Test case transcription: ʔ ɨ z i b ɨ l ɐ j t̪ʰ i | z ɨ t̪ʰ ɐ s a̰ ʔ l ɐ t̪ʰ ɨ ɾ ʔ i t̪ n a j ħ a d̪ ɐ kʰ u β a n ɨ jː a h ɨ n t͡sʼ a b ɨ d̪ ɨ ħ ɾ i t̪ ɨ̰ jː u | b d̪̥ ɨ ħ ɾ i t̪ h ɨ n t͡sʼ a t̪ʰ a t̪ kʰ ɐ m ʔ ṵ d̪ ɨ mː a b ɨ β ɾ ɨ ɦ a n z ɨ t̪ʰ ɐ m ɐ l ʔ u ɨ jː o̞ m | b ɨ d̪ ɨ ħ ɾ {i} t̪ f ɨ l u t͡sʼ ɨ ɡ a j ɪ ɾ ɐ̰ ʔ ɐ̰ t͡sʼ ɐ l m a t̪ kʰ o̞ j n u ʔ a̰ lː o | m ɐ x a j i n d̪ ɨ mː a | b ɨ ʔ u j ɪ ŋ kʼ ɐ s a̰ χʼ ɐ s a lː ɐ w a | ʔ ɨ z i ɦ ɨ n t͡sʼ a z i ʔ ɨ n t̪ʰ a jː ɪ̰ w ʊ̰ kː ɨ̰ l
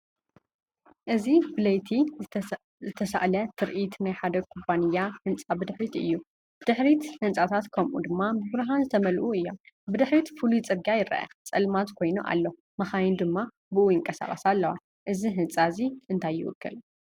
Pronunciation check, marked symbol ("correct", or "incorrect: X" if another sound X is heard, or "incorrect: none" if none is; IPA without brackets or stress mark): correct